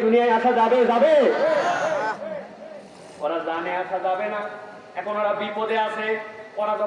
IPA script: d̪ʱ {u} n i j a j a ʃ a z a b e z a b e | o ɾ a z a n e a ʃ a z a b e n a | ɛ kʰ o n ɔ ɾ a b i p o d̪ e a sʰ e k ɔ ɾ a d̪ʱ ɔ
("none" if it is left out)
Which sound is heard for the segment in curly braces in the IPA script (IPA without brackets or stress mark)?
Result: u